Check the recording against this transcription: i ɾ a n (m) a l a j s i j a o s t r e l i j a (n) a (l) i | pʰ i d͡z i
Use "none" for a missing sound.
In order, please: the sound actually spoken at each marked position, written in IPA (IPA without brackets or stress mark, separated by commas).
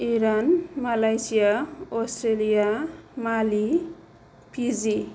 m, m, l